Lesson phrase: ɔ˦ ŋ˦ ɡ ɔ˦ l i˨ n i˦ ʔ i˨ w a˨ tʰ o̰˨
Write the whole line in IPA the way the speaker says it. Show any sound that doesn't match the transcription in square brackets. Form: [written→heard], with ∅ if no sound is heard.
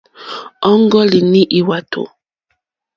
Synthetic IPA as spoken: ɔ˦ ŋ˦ ɡ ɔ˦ l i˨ n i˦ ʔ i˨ w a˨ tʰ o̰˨